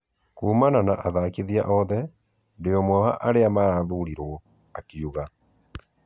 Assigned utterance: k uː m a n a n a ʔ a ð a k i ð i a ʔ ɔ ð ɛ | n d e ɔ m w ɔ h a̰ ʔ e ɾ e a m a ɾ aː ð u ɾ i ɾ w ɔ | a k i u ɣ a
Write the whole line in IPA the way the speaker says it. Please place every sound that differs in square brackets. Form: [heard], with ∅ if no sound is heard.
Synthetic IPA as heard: k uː m a n a n a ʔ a ð a k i ð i a ʔ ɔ ð ɛ | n d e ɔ m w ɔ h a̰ ʔ [a] ɾ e a m a ɾ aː ð u ɾ i ɾ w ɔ | a k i u ɣ a